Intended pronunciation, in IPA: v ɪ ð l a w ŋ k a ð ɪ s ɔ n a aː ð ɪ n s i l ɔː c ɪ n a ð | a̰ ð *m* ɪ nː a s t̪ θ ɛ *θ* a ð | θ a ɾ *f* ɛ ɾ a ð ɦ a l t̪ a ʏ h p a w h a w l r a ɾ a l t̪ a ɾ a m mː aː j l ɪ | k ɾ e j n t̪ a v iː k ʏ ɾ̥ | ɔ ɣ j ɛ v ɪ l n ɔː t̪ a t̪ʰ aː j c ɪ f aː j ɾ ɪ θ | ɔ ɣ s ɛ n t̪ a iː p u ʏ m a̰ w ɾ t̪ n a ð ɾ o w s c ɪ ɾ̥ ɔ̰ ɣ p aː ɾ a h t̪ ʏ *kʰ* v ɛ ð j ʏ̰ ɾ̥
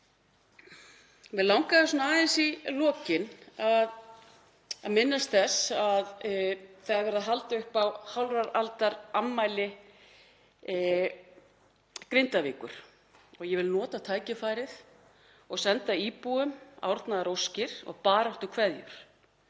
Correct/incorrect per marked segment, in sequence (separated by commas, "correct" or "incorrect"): correct, incorrect, incorrect, correct